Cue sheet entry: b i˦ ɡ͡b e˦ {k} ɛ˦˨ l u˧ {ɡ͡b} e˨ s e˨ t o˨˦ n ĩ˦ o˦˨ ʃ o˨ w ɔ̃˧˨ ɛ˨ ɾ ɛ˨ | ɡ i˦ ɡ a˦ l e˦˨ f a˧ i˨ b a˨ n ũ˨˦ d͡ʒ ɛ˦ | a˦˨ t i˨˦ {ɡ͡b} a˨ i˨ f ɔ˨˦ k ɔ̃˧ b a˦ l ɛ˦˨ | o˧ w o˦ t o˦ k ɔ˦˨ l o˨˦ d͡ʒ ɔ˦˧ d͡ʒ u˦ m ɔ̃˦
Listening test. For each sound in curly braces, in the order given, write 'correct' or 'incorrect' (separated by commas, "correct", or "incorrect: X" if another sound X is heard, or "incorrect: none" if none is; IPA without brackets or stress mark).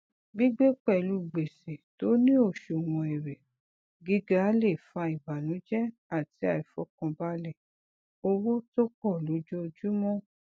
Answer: incorrect: k͡p, correct, incorrect: none